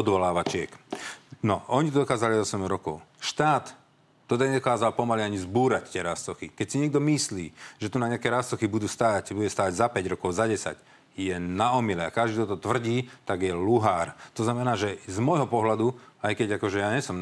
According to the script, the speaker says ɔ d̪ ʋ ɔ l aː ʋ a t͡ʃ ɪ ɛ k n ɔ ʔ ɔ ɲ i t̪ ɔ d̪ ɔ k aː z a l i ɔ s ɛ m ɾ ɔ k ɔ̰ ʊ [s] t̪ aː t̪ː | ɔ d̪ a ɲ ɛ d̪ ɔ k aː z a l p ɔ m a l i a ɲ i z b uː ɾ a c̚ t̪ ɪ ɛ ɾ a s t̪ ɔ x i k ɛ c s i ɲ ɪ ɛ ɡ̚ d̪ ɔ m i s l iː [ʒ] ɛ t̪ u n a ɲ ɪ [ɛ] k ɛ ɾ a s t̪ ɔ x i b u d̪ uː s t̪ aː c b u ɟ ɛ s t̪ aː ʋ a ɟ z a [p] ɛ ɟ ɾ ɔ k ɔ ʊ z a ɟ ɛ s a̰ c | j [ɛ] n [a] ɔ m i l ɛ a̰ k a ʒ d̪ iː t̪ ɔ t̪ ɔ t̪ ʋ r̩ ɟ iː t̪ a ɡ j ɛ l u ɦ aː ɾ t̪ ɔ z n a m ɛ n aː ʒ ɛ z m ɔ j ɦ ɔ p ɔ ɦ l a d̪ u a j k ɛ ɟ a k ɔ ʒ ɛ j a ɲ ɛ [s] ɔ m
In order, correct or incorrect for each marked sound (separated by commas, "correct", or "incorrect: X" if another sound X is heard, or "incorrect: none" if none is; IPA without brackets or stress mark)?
incorrect: ʃ, correct, incorrect: a, correct, correct, correct, correct